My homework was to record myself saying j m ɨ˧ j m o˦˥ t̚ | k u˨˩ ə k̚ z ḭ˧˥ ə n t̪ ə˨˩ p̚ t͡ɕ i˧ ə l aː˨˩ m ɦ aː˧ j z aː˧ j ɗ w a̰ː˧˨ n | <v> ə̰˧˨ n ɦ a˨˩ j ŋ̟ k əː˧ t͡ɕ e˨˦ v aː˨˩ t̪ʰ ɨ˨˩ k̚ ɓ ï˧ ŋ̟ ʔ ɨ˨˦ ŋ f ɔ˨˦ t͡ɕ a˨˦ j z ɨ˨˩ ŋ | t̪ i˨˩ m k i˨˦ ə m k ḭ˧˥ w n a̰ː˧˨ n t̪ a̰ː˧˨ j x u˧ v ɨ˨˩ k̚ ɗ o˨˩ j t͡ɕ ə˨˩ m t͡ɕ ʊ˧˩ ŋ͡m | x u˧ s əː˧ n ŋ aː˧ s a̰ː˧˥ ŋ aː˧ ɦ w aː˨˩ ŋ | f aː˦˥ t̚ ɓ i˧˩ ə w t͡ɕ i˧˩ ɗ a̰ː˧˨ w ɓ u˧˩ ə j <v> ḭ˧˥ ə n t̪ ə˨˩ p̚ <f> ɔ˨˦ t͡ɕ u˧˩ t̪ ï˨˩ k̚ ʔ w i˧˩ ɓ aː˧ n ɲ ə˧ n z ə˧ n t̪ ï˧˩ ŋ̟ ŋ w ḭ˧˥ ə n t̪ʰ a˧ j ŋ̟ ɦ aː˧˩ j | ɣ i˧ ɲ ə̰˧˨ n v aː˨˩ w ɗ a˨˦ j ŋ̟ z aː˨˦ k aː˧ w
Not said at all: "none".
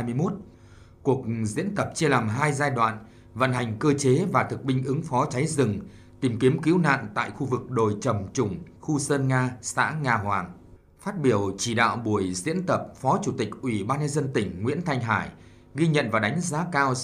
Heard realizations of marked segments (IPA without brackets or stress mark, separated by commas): v, z, f